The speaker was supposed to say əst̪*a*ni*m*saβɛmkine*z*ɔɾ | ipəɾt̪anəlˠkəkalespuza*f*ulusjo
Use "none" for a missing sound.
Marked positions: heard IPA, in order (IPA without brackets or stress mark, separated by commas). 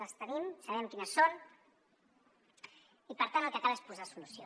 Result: ə, m, s, s